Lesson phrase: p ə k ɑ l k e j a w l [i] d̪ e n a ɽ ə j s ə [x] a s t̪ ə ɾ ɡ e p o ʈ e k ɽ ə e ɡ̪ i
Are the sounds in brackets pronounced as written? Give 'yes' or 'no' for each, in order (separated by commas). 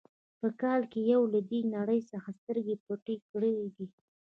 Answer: no, yes